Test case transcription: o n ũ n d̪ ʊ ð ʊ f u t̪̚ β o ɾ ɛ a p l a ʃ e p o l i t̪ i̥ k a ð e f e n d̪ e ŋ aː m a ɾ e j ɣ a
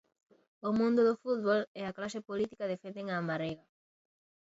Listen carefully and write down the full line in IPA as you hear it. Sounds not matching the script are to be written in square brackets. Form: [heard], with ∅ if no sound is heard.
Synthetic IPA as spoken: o [m] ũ n d̪ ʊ ð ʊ f u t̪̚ β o [l] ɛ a [k] l a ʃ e p o l i t̪ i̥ k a ð e f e n d̪ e ŋ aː m a ɾ e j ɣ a